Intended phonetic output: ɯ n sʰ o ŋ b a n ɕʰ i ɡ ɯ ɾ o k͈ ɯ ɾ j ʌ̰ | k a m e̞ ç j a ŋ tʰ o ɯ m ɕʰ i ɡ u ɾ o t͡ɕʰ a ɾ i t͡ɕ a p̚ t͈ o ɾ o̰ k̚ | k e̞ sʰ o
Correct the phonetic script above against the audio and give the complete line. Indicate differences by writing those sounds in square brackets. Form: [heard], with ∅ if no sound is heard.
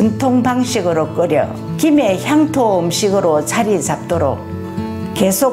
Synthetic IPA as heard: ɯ n [tʰ] o ŋ b a [ŋ] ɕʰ i ɡ ɯ ɾ o k͈ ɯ ɾ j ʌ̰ | k [i] m e̞ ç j a ŋ tʰ o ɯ m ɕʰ i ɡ [ɯ] ɾ o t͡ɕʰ a ɾ i t͡ɕ a p̚ t͈ o ɾ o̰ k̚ | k e̞ sʰ o